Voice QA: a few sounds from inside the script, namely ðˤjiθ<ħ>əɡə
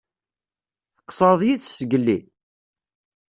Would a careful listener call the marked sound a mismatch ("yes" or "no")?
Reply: yes